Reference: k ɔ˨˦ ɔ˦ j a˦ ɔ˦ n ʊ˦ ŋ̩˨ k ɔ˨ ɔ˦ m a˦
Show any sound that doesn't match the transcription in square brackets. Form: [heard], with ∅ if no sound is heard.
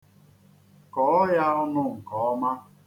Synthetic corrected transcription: k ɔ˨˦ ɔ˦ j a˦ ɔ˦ n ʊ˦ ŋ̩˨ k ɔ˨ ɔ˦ m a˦